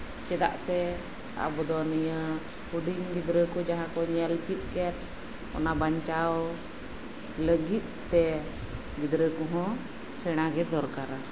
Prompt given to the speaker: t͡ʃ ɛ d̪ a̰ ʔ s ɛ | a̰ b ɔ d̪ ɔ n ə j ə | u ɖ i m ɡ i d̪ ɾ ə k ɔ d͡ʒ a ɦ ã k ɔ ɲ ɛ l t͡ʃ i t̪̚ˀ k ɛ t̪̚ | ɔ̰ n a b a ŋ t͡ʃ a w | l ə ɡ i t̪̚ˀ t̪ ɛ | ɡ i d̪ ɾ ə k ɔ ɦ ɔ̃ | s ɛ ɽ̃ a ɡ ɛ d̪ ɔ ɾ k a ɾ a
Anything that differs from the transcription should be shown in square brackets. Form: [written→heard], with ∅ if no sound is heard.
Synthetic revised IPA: t͡ʃ ɛ d̪ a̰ ʔ s ɛ | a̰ b ɔ d̪ ɔ n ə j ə | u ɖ i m ɡ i d̪ ɾ ə k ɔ d͡ʒ a ɦ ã k ɔ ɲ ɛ l t͡ʃ i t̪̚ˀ k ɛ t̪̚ | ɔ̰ n a b a [ŋ→ɲ] t͡ʃ a w | l ə ɡ i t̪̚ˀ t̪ ɛ | ɡ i d̪ ɾ ə k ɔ ɦ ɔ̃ | s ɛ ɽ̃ a ɡ ɛ d̪ ɔ ɾ k a ɾ a